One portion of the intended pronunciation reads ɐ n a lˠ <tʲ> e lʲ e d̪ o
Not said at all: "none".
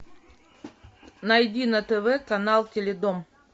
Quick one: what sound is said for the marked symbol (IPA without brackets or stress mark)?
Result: tʲ